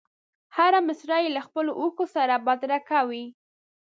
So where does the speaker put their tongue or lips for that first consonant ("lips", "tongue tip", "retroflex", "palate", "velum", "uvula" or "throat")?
throat